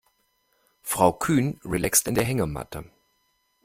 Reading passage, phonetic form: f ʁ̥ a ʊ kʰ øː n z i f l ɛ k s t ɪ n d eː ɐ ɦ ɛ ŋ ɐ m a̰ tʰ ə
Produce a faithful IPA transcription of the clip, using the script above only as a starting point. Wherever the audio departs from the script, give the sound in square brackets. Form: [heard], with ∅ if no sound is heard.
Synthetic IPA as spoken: f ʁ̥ a ʊ kʰ [yː] n [ʁ] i [∅] l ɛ k s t ɪ n d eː ɐ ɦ ɛ ŋ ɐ m a̰ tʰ ə